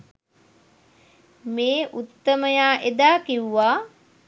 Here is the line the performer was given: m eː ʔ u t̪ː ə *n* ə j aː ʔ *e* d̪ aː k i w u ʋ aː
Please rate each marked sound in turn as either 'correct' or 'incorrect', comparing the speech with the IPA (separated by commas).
incorrect, correct